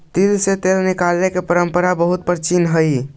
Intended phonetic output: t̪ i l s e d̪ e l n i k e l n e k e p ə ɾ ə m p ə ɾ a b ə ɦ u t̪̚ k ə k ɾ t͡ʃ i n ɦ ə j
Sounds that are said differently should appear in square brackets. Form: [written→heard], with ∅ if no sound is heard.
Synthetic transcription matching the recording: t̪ i l s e [d̪→t̪] e l n i k [e→a] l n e k e p ə ɾ ə m p ə ɾ a b ə ɦ u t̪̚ [k→p] ə [k→∅] ɾ t͡ʃ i n ɦ ə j